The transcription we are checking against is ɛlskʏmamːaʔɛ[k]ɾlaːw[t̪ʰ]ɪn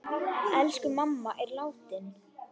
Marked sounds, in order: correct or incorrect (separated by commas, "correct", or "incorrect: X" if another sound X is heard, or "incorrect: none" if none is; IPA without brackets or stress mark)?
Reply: incorrect: none, incorrect: t̪